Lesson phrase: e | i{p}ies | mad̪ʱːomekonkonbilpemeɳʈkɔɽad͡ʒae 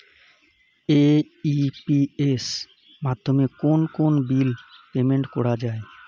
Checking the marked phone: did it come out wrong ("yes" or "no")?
no